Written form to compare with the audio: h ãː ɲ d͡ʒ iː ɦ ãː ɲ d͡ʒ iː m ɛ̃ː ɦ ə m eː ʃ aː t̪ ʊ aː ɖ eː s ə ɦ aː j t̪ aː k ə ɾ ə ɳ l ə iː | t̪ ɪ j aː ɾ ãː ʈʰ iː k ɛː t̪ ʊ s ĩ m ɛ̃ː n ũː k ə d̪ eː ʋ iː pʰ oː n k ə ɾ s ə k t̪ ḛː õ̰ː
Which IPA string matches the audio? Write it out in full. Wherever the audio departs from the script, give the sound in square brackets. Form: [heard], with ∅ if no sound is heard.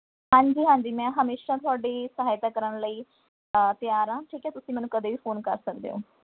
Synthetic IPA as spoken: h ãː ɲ d͡ʒ iː ɦ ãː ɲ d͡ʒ iː m ɛ̃ː ɦ ə m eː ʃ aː t̪ ʊ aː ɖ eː s ə ɦ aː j t̪ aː k ə ɾ ə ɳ l ə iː | t̪ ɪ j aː ɾ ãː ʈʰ iː k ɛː t̪ ʊ s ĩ m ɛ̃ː n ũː k ə d̪ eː ʋ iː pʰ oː n k ə ɾ s ə k [d̪] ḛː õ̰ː